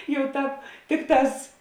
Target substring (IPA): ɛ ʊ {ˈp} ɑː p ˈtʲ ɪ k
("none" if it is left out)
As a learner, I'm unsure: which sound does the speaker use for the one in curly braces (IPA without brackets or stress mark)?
t